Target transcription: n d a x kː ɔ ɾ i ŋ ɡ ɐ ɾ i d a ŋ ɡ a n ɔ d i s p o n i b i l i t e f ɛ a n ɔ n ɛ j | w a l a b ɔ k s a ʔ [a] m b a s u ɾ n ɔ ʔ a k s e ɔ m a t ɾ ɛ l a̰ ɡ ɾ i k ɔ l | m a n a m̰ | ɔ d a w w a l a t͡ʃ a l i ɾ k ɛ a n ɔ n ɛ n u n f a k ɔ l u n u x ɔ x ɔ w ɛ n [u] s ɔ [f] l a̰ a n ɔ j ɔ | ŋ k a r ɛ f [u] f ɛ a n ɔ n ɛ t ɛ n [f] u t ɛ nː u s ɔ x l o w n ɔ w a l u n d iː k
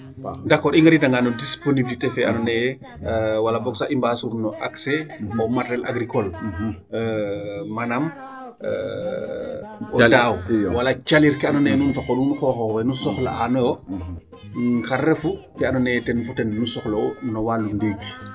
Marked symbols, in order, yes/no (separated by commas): no, yes, no, yes, yes